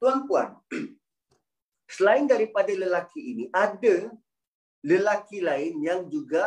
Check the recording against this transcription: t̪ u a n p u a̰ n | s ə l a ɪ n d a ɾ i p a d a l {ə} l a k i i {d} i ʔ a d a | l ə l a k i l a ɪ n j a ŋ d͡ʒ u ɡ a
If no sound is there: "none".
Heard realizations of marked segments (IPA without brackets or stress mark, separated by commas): ə, n